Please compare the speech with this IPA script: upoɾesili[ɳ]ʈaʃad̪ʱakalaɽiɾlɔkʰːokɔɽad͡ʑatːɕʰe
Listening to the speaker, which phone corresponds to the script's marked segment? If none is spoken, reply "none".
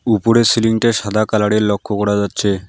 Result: ŋ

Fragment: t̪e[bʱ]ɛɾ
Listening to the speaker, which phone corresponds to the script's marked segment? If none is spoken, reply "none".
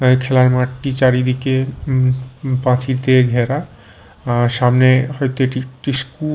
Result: ɡʱ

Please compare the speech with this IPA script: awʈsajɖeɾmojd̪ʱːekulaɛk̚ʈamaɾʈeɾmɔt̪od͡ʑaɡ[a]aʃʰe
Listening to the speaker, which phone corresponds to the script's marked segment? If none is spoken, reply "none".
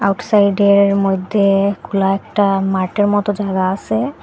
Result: a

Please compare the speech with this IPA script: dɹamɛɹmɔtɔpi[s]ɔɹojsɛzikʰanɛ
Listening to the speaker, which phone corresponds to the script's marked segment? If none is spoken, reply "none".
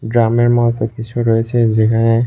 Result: s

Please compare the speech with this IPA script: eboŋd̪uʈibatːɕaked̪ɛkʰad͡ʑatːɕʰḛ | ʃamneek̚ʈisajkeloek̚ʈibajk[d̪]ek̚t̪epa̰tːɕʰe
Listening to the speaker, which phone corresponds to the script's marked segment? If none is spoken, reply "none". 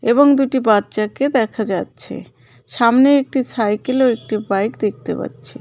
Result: d̪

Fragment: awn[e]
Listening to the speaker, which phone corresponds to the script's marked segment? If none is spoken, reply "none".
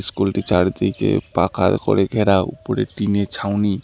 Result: i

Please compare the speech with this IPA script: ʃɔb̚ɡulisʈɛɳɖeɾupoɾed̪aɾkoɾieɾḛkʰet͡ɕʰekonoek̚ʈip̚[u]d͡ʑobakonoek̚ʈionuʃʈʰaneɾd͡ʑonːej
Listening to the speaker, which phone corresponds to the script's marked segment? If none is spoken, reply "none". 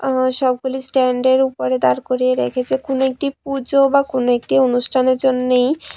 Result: u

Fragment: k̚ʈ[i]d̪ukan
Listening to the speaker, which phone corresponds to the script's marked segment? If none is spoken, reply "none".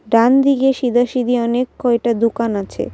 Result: a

